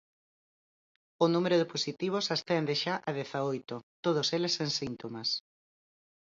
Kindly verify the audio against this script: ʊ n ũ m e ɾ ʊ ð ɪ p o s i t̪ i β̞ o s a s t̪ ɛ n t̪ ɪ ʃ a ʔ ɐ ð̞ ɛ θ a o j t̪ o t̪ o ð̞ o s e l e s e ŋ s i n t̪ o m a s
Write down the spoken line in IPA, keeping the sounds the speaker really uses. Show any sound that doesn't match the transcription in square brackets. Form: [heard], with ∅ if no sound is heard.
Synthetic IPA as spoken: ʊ n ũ m e ɾ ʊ ð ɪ p o s i t̪ i β̞ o s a s t̪ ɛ n [d̪] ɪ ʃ a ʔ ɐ ð̞ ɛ θ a o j t̪ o t̪ o ð̞ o s e l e s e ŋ s i n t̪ o m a s